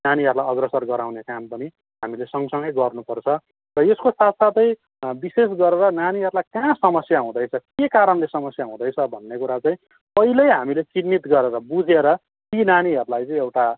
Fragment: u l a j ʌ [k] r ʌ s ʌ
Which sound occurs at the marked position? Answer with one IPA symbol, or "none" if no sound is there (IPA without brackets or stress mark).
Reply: ɡ